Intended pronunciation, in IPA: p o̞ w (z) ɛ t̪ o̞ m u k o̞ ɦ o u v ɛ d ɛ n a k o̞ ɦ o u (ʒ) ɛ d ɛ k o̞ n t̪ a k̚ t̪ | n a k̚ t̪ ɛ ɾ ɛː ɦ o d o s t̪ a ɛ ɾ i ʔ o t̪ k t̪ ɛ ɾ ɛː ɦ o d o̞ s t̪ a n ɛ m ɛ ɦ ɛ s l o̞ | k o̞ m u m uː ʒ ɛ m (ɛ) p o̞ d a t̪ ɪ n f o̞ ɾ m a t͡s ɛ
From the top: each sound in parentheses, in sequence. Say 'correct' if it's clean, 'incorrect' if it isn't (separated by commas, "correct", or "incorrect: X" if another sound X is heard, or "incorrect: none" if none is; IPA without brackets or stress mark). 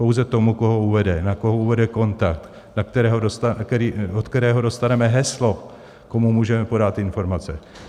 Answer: correct, incorrect: v, correct